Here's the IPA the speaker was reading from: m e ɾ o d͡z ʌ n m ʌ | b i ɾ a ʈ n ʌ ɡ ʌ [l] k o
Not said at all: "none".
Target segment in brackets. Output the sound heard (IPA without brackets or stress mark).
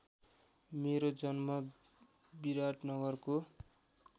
r